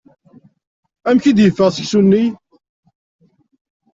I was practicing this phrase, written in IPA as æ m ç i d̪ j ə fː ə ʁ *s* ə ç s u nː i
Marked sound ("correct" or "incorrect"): correct